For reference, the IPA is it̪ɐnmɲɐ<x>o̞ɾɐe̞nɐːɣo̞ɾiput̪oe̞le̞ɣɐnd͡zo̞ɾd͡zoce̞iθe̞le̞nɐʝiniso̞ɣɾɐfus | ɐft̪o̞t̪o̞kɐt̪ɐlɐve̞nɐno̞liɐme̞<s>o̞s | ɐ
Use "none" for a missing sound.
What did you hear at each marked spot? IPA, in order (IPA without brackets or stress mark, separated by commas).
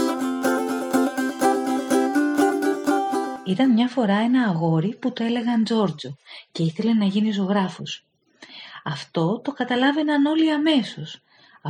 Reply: f, s